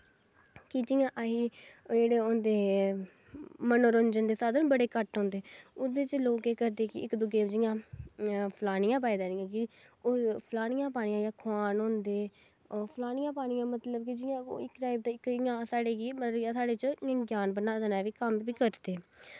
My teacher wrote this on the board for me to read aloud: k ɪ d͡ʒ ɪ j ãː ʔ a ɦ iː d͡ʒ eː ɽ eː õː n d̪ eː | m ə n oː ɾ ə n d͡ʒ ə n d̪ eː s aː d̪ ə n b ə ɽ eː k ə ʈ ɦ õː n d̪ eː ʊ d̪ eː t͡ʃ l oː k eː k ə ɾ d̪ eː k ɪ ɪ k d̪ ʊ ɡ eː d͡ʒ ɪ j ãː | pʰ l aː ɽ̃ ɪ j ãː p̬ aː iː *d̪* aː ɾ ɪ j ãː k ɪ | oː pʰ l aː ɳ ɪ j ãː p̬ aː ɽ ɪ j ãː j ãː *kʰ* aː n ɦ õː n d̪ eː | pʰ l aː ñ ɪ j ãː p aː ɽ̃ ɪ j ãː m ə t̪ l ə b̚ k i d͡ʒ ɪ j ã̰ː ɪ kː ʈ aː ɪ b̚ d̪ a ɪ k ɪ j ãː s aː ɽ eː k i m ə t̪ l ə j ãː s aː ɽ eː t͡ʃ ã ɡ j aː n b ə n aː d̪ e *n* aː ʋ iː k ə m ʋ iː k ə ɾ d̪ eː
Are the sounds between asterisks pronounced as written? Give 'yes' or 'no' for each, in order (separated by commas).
yes, yes, yes